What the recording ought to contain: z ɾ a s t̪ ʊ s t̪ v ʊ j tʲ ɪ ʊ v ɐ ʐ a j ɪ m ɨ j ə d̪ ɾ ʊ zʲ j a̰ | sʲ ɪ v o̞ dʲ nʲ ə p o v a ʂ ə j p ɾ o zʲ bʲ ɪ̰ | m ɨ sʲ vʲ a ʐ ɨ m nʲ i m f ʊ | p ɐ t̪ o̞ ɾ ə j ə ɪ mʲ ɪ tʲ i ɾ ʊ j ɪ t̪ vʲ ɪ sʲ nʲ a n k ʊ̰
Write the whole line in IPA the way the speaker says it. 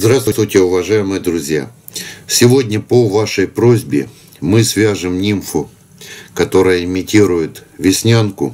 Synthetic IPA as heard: z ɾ a s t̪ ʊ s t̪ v ʊ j tʲ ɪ ʊ v ɐ ʐ a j ɪ m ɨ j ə d̪ ɾ ʊ zʲ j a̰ | sʲ ɪ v o̞ dʲ nʲ ə p o v a ʂ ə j p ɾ o zʲ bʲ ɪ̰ | m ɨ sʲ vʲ a ʐ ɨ m nʲ i m f ʊ | k ɐ t̪ o̞ ɾ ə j ə ɪ mʲ ɪ tʲ i ɾ ʊ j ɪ t̪ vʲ ɪ sʲ nʲ a n k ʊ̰